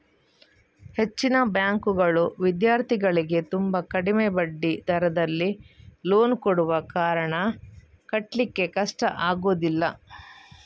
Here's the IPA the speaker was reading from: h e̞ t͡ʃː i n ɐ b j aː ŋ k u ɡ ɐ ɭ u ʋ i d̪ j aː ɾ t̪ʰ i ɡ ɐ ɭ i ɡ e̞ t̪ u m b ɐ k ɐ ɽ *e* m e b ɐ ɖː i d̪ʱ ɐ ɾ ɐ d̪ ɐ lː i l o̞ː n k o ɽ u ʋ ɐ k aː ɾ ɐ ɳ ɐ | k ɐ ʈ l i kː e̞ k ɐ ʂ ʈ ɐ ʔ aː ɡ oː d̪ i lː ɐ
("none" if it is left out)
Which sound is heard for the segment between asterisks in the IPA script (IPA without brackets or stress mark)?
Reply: i